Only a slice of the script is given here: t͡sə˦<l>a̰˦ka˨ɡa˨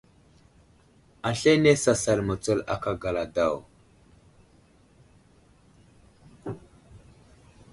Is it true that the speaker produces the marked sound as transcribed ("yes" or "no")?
yes